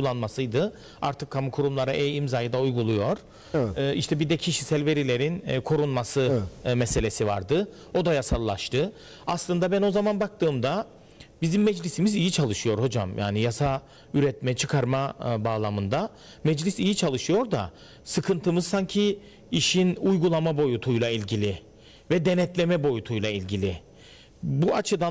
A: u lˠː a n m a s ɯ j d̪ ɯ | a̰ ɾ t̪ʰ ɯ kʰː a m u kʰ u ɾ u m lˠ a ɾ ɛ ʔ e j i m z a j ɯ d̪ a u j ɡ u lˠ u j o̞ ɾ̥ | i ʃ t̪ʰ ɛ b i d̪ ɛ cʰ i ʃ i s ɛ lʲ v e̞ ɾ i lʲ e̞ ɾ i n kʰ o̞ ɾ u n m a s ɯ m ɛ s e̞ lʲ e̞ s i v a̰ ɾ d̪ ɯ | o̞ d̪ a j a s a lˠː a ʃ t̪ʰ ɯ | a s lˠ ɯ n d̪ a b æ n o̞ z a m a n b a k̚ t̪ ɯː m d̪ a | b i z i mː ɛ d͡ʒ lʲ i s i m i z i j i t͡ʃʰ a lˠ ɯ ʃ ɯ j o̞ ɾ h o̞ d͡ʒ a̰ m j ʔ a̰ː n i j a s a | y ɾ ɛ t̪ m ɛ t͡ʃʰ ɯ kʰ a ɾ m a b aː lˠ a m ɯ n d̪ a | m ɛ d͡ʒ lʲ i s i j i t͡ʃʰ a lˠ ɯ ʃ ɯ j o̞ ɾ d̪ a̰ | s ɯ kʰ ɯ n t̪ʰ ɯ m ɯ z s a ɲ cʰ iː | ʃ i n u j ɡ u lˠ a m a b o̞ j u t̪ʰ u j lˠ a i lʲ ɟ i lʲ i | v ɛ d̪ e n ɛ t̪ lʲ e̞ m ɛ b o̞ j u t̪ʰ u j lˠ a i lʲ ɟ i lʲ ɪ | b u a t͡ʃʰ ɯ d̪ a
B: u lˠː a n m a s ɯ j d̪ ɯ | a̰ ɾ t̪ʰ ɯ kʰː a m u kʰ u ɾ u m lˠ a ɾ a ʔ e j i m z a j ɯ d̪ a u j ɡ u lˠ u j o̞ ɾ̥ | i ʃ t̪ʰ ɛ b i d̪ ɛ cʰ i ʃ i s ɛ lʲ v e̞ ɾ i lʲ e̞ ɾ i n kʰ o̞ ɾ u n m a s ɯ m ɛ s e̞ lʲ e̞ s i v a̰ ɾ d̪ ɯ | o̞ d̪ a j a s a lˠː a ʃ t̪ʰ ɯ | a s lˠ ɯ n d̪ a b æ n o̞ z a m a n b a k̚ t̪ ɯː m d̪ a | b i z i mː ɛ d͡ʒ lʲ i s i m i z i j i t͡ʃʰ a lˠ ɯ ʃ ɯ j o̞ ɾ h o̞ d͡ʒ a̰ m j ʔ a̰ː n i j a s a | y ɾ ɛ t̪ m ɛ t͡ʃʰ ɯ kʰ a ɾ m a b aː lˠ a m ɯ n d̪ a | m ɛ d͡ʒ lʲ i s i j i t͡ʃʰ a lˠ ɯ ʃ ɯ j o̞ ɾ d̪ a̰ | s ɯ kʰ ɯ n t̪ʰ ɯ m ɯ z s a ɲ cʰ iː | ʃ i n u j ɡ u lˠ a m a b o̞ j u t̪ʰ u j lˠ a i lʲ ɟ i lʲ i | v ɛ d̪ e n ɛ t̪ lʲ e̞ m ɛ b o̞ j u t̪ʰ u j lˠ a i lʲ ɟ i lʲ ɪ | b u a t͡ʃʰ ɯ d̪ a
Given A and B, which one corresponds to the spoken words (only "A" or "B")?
B